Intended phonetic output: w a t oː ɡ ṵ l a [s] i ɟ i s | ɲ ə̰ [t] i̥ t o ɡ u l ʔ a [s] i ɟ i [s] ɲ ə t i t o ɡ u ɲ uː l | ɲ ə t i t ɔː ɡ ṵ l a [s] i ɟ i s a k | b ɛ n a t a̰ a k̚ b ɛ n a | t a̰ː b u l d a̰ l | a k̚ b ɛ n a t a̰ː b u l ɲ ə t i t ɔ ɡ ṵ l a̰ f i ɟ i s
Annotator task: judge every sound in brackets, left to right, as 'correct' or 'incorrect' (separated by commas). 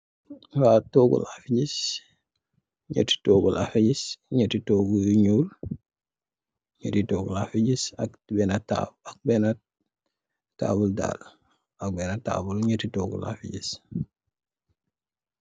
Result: incorrect, correct, incorrect, correct, incorrect